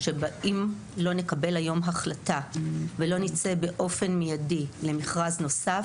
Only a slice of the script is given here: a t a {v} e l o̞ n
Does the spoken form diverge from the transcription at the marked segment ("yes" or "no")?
no